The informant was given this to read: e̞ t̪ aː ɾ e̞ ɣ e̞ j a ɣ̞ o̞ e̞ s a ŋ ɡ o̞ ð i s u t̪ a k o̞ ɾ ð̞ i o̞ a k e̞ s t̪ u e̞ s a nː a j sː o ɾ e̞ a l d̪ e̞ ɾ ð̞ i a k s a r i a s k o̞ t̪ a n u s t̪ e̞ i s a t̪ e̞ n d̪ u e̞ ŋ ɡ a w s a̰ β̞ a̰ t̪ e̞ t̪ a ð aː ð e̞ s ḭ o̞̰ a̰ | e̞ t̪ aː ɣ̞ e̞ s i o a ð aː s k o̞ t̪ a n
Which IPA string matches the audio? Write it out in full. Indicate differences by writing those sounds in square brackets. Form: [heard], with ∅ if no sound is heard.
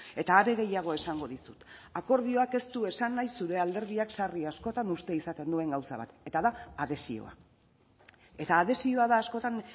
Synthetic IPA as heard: e̞ t̪ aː ɾ e̞ ɣ e̞ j a ɣ̞ o̞ e̞ s a ŋ ɡ o̞ ð i s u t̪ a k o̞ ɾ ð̞ i o̞ a k e̞ s t̪ u e̞ s a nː a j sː [u] ɾ e̞ a l d̪ e̞ ɾ ð̞ i a k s a r i a s k o̞ t̪ a n u s t̪ e̞ i s a t̪ e̞ n d̪ u e̞ ŋ ɡ a w s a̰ β̞ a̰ t̪ e̞ t̪ a ð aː ð e̞ s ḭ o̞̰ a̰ | e̞ t̪ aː [ð̞] e̞ s i o a ð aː s k o̞ t̪ a n